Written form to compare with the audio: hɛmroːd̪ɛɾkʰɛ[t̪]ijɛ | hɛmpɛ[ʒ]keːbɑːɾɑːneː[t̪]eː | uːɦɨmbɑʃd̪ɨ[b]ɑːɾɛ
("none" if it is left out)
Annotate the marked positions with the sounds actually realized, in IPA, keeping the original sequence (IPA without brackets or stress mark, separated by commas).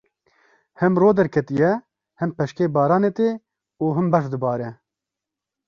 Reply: t̪, ʃ, t̪, b